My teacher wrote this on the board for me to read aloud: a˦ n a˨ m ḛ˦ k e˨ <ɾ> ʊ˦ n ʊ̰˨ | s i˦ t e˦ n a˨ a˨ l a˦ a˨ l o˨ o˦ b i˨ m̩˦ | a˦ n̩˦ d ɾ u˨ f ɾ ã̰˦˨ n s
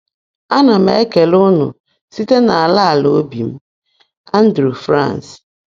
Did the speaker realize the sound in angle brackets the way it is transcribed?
no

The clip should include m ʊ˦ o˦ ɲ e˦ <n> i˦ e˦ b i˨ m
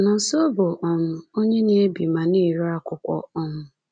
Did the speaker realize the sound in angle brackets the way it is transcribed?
yes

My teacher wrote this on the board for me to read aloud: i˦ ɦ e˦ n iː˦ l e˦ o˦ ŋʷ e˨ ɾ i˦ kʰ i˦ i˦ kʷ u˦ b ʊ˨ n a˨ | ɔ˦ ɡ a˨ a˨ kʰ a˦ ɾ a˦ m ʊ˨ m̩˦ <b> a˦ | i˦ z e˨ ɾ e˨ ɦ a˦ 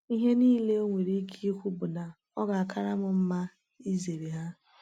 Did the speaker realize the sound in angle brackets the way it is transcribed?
no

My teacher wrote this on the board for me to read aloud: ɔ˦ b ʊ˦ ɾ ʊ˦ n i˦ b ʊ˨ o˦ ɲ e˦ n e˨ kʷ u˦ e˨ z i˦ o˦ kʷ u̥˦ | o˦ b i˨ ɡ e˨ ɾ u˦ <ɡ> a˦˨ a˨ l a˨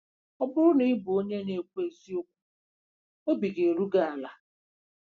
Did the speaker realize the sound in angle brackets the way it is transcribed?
yes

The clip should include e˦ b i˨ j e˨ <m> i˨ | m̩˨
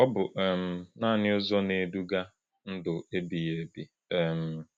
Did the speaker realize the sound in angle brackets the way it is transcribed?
no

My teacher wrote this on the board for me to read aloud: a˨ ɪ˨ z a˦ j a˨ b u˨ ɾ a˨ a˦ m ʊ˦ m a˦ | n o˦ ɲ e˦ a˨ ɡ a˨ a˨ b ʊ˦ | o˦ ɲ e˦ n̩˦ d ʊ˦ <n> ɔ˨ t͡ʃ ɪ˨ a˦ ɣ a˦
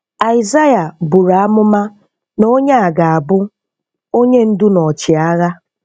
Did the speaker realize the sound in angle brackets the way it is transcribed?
yes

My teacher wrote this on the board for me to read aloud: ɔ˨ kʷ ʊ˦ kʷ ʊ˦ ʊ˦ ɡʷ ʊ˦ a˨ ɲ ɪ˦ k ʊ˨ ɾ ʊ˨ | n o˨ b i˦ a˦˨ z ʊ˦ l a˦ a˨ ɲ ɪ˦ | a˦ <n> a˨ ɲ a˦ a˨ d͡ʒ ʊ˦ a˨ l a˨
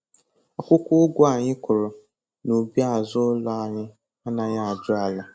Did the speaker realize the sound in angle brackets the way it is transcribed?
yes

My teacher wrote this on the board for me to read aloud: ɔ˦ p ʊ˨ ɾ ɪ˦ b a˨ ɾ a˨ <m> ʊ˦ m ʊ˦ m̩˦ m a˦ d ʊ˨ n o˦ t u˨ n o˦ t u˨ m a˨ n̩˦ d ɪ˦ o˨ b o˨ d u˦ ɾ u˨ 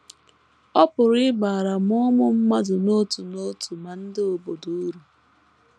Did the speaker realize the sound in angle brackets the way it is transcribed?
yes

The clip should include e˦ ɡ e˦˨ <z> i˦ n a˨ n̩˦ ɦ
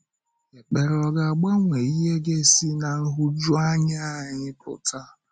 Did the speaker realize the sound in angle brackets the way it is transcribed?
no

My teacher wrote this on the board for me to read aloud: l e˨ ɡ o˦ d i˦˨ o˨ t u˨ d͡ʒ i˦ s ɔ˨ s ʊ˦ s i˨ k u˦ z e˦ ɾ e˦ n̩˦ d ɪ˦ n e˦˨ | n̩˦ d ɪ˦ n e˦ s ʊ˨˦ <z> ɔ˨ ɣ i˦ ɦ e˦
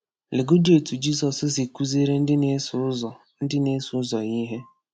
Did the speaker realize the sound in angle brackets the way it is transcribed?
yes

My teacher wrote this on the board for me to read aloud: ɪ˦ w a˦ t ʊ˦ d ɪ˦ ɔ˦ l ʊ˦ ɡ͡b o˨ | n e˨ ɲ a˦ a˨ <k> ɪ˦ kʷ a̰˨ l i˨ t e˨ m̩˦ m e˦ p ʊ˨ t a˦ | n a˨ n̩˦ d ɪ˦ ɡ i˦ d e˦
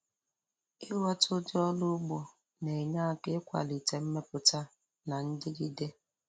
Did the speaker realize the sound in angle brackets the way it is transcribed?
yes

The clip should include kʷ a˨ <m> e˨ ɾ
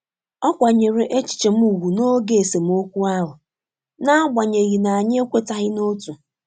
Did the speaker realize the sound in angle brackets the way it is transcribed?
no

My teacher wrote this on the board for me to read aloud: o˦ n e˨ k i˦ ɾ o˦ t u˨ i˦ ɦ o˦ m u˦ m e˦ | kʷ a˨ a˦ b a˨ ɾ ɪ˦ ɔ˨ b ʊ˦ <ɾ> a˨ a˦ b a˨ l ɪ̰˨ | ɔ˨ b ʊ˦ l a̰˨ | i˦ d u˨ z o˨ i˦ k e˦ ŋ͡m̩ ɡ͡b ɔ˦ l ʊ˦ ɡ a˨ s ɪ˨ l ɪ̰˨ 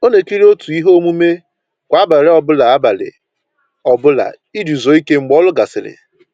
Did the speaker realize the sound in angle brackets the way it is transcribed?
no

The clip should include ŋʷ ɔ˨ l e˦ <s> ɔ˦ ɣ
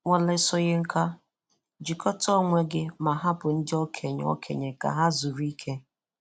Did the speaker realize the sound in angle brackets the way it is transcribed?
yes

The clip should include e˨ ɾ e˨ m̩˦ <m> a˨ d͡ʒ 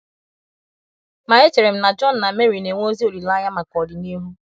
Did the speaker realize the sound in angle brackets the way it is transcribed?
no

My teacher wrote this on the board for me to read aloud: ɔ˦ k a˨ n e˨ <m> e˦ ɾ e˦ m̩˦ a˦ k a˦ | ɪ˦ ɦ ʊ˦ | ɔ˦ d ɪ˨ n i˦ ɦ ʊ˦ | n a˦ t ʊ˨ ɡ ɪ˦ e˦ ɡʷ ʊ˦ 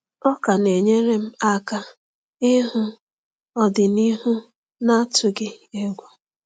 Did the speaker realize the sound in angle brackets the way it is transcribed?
no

